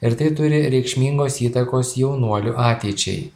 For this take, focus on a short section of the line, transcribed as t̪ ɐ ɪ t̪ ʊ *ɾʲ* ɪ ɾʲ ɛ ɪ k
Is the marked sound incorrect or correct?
correct